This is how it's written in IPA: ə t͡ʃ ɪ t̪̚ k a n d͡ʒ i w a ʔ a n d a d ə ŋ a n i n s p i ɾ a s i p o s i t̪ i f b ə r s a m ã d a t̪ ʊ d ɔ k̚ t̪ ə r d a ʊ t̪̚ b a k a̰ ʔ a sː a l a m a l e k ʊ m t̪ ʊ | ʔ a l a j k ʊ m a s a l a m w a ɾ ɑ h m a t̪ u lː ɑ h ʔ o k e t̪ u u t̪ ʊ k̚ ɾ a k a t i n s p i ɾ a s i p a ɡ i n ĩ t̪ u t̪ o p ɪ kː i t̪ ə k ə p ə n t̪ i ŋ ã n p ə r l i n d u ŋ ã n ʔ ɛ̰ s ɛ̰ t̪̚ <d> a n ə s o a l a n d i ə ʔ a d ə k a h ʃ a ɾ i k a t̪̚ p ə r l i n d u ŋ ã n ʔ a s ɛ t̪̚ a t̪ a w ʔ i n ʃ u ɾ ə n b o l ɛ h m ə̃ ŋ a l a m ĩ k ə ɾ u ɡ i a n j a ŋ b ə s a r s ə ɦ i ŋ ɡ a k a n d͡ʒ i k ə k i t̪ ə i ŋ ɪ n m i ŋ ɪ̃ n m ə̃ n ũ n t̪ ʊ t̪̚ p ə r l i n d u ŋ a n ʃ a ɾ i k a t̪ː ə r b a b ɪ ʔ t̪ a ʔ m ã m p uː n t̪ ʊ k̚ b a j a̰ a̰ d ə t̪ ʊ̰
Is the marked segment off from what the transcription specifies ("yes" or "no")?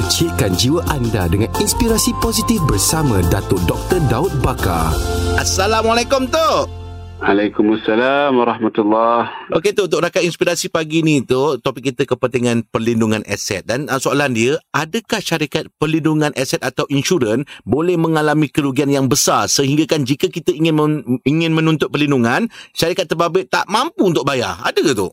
no